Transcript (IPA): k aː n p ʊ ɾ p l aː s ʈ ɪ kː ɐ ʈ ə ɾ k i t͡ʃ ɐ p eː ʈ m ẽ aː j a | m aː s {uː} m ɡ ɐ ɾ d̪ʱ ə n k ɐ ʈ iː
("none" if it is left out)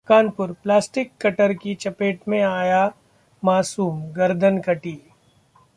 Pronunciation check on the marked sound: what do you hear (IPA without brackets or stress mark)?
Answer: uː